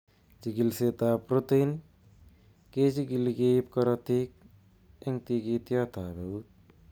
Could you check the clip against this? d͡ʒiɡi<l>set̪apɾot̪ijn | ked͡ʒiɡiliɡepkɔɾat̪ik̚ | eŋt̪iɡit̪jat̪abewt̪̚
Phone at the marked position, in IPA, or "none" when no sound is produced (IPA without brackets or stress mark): l